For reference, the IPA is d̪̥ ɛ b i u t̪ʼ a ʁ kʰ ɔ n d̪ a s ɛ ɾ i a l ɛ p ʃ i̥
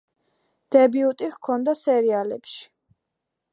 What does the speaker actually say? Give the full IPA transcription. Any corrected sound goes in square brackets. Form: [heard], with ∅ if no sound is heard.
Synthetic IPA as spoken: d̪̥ ɛ b i u t̪ʼ [i] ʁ kʰ ɔ n d̪ a s ɛ ɾ i a l ɛ p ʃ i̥